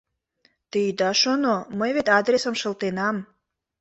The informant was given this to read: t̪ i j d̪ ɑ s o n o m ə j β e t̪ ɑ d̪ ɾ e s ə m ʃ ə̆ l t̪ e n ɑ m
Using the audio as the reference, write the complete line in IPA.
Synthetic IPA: t̪ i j d̪ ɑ ʃ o n o m ə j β e t̪ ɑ d̪ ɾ e s ə m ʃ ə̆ l t̪ e n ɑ m

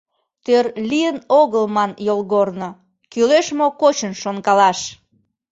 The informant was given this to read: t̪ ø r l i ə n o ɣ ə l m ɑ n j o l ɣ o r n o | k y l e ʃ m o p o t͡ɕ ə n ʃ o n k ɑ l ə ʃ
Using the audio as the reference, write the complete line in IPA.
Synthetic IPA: t̪ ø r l i ə n o ɣ ə l m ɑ n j o l ɣ o r n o | k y l e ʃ m o k o t͡ɕ ə n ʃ o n k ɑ l ɑ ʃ

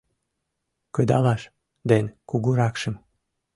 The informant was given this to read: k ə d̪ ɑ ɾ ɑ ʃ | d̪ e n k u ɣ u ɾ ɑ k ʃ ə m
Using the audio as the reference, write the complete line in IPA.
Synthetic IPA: k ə d̪ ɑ l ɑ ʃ | d̪ e n k u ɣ u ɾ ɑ k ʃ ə m

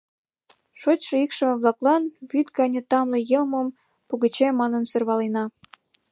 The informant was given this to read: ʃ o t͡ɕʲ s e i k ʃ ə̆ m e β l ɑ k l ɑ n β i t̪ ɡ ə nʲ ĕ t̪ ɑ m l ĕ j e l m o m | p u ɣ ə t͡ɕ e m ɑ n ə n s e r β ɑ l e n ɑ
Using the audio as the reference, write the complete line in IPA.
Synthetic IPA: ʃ o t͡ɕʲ ʃ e i k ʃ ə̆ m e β l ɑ k l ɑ n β y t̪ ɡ ɑ nʲ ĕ t̪ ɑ m l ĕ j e l m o m | p u ɣ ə t͡ɕ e m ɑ n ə n s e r β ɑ l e n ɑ

